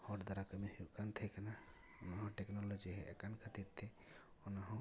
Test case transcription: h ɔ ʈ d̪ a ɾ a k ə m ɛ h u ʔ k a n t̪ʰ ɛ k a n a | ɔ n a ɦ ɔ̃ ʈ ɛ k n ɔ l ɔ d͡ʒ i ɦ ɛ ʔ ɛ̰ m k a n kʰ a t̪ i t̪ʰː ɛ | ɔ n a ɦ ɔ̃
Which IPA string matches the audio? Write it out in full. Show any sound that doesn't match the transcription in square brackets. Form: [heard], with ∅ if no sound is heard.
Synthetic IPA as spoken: h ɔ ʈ d̪ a ɾ a k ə m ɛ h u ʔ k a n t̪ʰ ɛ k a n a | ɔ n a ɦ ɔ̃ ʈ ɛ k n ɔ l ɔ d͡ʒ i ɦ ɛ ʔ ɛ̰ [∅] k a n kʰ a t̪ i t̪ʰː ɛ | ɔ n a ɦ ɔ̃